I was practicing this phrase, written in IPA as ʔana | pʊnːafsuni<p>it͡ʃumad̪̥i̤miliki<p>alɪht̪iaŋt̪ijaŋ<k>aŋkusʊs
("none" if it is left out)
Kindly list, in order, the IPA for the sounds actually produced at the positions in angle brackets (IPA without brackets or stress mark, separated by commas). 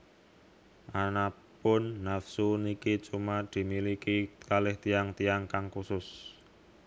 k, k, k